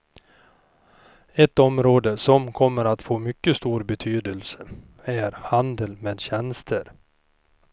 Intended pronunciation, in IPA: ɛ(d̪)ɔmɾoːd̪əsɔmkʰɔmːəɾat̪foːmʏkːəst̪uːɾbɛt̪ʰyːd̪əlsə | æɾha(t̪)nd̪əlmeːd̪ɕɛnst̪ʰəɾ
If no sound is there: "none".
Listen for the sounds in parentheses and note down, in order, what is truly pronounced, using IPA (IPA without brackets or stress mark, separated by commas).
t̪, none